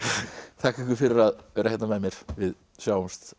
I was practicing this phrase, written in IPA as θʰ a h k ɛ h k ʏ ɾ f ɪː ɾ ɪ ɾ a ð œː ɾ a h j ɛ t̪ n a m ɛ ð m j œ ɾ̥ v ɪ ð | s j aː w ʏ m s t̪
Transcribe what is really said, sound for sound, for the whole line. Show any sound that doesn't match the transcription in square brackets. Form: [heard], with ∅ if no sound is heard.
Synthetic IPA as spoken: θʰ a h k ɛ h k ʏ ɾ f [ɪ] ɾ ɪ ɾ a ð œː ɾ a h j ɛ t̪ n a m ɛ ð m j [ɛ] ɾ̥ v ɪ ð | s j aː w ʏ m s t̪